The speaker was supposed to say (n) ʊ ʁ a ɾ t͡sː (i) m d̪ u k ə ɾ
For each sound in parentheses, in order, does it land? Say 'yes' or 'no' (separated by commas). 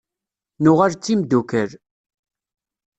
yes, yes